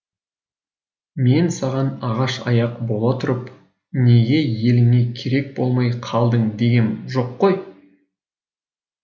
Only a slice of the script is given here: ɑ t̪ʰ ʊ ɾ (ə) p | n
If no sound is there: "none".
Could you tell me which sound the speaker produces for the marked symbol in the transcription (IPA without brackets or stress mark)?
ə